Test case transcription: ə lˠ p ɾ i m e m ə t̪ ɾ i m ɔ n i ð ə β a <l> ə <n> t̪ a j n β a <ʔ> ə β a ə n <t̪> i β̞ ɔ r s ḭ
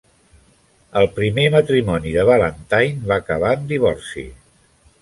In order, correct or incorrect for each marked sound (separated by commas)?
correct, correct, incorrect, incorrect